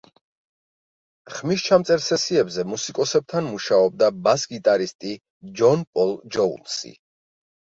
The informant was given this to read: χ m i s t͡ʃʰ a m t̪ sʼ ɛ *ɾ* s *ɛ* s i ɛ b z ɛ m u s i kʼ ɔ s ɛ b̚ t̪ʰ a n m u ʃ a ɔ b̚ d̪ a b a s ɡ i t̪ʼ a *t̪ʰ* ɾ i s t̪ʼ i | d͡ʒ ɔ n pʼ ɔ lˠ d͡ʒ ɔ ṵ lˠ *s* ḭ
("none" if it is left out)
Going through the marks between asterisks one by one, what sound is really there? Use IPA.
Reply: ɾ, ɛ, none, s

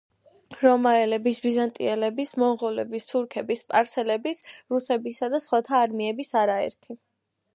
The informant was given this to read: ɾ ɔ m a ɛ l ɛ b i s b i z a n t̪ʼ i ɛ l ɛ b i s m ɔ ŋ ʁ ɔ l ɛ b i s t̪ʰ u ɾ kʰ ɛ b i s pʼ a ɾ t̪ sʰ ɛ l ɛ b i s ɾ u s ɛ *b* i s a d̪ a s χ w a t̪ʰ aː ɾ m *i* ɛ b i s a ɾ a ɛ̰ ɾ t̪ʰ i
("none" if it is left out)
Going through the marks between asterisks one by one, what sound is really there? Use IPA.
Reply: b, i

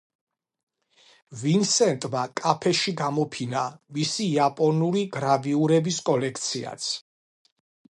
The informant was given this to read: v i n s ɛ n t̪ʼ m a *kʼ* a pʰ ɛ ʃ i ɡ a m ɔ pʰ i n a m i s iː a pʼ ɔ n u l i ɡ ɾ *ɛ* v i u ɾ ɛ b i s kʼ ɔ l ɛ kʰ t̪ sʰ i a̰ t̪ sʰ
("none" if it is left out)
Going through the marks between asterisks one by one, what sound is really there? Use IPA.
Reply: kʼ, a

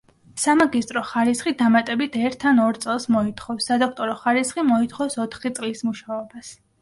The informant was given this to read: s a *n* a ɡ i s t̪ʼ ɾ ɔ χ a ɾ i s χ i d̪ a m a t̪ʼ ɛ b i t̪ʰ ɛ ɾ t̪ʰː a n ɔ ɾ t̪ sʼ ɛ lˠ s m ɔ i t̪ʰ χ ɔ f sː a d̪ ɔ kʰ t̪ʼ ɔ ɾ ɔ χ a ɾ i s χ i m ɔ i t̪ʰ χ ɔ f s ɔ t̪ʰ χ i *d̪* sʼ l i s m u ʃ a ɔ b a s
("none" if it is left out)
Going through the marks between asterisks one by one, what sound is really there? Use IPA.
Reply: m, t̪

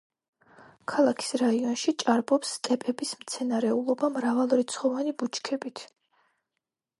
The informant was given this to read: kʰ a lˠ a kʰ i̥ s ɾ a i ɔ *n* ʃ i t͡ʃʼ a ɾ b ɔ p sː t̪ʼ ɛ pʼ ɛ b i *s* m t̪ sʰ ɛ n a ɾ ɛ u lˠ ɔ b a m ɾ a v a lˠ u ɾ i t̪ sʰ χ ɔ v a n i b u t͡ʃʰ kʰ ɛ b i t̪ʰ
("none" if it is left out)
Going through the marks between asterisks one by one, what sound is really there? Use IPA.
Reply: n, s

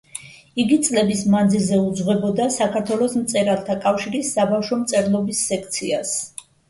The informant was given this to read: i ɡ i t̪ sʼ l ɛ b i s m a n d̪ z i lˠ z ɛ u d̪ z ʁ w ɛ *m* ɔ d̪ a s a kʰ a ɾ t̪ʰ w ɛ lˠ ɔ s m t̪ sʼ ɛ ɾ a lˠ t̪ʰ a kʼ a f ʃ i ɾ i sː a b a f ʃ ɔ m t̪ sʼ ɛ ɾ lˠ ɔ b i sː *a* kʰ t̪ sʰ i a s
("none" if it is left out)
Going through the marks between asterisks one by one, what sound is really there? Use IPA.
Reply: b, ɛ

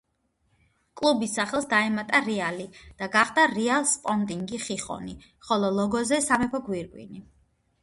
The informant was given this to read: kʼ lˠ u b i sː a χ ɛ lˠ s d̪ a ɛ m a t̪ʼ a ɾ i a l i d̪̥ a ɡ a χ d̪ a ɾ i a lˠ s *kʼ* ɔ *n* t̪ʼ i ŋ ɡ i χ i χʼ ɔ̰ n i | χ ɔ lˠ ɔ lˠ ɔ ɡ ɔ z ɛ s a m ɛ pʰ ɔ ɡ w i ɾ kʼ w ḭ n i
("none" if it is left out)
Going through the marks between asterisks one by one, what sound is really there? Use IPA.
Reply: pʼ, n

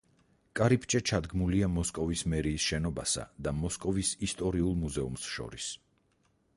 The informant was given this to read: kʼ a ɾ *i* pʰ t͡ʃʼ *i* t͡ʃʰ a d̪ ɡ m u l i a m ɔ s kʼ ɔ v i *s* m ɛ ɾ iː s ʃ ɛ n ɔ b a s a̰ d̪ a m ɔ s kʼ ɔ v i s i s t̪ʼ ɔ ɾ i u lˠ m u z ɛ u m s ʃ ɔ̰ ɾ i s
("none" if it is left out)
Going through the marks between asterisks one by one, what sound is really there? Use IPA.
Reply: i, ɛ, s

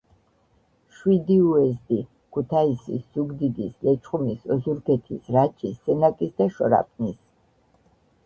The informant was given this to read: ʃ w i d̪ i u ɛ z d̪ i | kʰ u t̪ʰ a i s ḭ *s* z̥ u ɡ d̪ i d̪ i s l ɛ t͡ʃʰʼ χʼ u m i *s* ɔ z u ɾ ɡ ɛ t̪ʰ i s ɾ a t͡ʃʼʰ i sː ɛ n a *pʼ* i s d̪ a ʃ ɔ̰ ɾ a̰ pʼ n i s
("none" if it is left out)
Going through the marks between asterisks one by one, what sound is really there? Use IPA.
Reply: s, s, kʼ

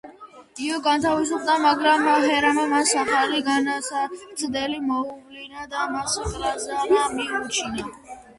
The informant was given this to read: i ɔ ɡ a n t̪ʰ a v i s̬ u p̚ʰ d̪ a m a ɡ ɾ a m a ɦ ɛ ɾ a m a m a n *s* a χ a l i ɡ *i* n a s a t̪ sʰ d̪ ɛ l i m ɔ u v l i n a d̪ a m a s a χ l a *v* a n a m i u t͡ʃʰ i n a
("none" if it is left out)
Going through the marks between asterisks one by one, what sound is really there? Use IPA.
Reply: s, a, z

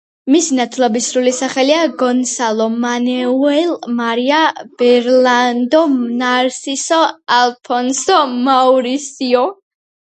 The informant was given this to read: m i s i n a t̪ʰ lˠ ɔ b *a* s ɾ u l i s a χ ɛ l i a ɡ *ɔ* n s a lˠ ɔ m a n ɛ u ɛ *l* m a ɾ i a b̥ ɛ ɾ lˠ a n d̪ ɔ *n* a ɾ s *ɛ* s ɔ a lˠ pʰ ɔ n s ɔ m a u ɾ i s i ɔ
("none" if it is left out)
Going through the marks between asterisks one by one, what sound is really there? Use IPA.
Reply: i, ɔ, l, n, i

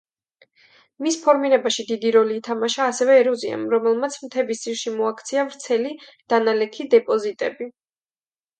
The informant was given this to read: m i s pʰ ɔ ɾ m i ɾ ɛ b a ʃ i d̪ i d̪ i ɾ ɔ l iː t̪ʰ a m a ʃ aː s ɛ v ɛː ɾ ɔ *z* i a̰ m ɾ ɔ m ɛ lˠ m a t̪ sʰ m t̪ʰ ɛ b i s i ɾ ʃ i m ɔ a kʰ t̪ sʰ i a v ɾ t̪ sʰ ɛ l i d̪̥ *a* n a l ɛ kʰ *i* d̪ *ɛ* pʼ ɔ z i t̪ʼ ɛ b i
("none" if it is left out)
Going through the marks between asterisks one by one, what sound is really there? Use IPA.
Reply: z, a, i, ɛ

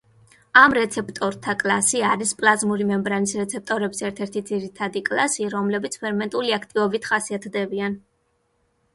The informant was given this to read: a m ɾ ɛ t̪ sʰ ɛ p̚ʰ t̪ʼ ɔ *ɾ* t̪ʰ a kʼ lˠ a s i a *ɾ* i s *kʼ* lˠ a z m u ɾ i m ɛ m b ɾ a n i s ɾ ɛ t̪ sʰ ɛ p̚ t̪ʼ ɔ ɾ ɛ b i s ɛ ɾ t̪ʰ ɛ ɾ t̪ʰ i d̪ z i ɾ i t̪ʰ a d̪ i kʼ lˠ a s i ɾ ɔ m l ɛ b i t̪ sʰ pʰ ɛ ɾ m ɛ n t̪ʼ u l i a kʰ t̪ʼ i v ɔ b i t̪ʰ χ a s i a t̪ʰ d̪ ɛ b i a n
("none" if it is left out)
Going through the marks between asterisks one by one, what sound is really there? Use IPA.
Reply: ɾ, ɾ, pʼ

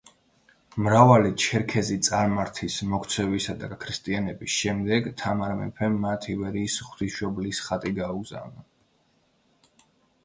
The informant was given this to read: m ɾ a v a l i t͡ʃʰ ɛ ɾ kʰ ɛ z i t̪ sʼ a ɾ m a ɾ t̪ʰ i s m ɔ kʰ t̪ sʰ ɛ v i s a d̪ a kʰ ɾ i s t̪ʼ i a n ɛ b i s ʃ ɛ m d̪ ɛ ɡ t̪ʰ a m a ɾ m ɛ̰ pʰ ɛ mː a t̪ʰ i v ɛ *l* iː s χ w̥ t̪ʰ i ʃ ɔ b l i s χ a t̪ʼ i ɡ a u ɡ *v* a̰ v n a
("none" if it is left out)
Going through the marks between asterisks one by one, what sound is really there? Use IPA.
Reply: ɾ, z

